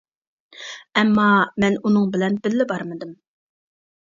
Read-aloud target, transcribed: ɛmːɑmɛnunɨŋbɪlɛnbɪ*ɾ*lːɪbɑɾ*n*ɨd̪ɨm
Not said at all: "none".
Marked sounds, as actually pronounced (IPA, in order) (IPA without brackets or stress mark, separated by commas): none, m